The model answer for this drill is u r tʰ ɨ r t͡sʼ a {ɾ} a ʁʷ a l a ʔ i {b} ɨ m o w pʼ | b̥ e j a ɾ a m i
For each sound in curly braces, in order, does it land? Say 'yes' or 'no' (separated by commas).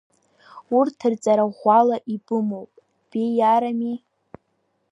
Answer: yes, yes